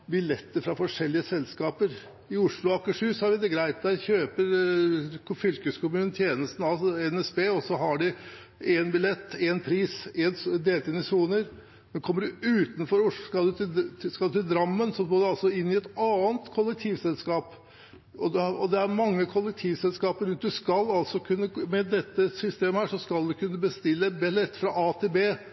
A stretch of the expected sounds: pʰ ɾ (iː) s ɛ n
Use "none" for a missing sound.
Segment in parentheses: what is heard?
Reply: iː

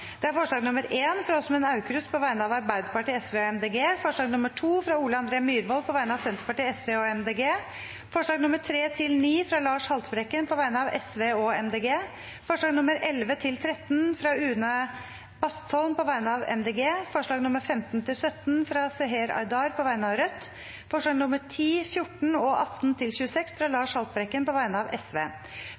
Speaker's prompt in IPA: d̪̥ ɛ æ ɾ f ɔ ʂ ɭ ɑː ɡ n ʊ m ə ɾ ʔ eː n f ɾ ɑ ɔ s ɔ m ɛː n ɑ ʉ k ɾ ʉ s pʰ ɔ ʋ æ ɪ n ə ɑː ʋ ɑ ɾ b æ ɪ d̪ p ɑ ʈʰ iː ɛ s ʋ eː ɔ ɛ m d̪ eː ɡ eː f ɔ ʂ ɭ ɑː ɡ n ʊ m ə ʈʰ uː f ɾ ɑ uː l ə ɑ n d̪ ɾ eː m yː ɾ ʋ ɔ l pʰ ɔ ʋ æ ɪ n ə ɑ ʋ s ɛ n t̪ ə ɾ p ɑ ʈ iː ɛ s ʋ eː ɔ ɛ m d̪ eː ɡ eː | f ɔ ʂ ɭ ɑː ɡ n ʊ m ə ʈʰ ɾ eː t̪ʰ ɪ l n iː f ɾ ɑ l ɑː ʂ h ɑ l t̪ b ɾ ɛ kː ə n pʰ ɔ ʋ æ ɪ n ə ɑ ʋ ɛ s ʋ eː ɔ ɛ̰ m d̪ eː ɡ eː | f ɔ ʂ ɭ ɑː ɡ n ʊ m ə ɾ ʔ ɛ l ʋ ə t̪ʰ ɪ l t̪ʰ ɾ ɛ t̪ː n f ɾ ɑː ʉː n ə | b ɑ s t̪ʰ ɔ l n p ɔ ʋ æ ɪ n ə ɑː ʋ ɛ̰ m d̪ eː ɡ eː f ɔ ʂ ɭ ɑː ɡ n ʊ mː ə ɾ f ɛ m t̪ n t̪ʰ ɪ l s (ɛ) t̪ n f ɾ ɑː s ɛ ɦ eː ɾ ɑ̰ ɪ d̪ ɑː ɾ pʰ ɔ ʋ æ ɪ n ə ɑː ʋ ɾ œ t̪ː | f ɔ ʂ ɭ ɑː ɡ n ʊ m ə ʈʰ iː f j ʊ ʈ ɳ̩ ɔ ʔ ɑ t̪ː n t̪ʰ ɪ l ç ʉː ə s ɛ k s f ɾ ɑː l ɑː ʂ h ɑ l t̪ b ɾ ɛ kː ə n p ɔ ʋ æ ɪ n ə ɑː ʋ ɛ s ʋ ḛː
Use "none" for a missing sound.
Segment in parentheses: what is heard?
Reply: œ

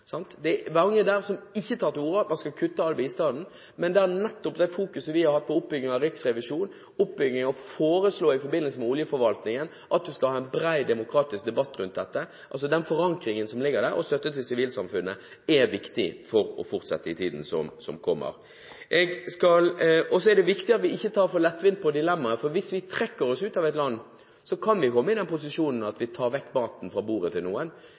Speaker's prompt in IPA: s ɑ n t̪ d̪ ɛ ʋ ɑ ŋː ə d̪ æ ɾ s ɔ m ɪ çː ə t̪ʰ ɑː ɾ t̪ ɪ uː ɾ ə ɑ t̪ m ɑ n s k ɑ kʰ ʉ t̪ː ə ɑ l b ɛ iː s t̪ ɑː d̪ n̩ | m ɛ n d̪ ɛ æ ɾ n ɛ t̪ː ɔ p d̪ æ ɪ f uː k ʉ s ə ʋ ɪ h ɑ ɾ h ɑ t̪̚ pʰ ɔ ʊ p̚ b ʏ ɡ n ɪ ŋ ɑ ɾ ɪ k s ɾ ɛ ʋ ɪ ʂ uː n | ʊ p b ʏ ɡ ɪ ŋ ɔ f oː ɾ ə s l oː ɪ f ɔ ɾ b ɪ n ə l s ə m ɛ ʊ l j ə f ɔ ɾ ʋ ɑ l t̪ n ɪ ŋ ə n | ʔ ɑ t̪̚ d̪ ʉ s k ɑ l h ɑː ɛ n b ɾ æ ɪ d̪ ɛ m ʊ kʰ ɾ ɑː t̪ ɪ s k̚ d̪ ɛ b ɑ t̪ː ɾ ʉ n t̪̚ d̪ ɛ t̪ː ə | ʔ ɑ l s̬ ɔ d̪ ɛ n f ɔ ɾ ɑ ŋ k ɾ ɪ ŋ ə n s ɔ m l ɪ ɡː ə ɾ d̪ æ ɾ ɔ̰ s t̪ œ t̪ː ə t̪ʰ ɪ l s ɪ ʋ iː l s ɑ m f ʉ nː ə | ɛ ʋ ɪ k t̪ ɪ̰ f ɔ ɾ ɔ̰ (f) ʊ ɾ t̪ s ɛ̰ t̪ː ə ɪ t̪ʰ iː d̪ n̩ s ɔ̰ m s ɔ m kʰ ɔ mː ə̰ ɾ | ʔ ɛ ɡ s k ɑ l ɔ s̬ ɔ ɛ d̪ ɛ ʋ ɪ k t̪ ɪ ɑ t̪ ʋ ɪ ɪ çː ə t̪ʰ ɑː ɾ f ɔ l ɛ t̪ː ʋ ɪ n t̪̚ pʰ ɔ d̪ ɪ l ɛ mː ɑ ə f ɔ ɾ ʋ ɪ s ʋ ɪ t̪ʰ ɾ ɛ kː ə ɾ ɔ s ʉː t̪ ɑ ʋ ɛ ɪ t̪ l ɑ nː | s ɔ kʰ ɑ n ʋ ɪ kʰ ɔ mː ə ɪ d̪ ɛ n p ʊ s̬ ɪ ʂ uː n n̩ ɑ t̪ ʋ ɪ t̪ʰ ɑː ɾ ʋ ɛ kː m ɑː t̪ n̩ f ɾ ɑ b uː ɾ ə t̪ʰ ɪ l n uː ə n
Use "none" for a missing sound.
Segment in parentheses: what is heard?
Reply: f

